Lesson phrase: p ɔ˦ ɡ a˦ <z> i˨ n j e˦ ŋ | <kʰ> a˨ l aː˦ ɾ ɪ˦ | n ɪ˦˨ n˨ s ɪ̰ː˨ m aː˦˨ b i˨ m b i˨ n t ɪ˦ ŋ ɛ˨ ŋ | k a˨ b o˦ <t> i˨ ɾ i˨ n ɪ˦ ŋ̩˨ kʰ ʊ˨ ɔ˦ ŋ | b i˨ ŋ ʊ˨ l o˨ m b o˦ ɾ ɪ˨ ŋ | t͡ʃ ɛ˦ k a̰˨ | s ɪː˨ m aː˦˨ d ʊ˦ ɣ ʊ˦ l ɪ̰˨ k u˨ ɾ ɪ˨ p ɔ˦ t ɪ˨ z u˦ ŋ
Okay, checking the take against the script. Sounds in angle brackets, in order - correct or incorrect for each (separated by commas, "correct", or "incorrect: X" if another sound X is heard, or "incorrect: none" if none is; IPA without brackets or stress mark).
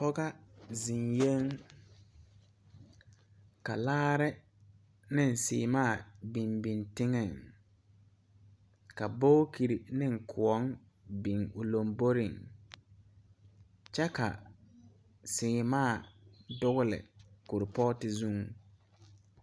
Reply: correct, incorrect: k, incorrect: k